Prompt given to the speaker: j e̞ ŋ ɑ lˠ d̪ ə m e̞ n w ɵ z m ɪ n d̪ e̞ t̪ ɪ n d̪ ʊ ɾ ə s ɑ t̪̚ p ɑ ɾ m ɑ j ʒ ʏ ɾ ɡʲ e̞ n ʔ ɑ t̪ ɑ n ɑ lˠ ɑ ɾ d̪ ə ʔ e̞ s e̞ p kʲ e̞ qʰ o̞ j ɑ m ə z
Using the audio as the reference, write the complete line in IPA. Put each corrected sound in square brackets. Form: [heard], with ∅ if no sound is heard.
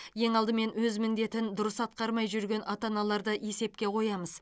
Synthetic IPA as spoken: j e̞ ŋ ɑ lˠ d̪ ə m e̞ n w ɵ z m ɪ n d̪ e̞ t̪ ɪ n d̪ ʊ ɾ ə s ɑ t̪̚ [q] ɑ ɾ m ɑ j ʒ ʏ ɾ ɡʲ e̞ n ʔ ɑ t̪ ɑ n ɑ lˠ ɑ ɾ d̪ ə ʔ e̞ s e̞ p kʲ e̞ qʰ o̞ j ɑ m ə z